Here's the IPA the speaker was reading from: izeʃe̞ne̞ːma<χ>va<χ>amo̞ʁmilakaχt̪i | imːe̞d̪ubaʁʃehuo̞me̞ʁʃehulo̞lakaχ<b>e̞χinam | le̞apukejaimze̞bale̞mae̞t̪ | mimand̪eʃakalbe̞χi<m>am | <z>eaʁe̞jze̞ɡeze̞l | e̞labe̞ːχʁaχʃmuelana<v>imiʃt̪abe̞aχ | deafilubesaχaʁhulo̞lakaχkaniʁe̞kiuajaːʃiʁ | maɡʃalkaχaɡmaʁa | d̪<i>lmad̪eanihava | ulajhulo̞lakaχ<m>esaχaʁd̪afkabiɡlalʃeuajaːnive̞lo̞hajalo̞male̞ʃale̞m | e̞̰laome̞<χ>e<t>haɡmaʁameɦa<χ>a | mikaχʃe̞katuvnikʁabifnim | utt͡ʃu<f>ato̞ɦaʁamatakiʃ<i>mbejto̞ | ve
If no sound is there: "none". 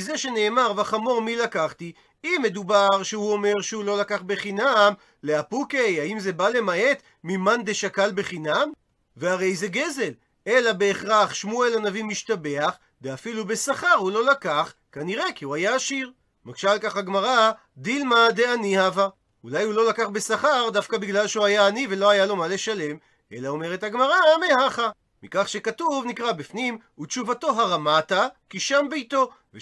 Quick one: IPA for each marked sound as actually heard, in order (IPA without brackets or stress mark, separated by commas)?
ʁ, χ, b, n, v, v, i, b, ʁ, t, χ, v, a